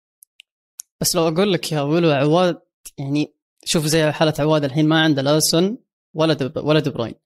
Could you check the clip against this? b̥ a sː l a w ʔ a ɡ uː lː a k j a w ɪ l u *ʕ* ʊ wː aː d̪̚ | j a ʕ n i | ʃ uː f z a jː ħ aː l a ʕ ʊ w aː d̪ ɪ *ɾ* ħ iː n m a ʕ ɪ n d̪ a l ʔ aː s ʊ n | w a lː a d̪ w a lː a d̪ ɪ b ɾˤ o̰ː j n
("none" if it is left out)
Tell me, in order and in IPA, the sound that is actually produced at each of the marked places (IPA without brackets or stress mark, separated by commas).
ʕ, l